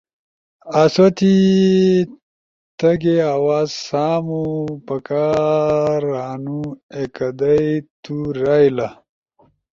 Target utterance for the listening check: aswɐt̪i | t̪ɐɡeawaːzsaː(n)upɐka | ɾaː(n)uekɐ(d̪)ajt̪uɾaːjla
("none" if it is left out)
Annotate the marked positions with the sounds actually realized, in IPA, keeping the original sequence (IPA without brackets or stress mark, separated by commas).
m, n, d̪